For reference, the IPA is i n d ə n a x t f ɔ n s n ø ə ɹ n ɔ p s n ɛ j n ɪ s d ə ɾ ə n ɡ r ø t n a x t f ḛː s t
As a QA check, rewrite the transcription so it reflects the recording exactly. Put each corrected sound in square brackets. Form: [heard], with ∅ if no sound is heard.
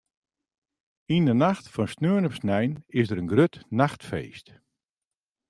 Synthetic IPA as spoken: i n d ə n a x t f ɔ n s n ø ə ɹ n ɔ p s n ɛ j n ɪ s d ə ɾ ə n ɡ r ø t n a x t f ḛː s t